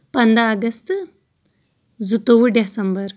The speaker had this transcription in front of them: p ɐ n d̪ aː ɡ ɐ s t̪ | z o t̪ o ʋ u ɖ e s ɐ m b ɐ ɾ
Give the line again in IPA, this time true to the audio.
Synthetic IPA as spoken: p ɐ n d̪ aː ɡ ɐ s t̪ | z u t̪ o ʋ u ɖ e s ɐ m b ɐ ɾ